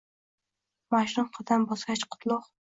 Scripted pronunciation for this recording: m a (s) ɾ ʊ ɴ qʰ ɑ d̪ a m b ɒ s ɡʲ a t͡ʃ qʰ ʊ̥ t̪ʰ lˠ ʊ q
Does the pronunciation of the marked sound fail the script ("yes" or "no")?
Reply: yes